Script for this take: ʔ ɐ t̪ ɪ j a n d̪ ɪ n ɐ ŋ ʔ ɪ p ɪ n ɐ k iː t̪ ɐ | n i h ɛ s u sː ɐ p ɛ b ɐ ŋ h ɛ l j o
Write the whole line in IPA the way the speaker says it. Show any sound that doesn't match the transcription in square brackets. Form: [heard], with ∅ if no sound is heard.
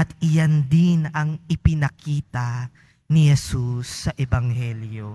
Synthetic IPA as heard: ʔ ɐ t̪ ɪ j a n d̪ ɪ n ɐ ŋ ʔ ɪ p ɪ n ɐ k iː t̪ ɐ | n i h ɛ s u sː ɐ [ʔ] ɛ b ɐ ŋ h ɛ l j o